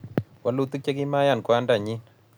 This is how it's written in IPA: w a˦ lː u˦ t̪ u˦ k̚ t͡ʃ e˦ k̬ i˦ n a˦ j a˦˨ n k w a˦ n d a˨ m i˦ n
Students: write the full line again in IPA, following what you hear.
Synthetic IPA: w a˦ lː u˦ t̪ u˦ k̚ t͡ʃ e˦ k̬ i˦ m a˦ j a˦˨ n k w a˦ n d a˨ ɲ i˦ n